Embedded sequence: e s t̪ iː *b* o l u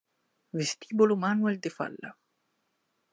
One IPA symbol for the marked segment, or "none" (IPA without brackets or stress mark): b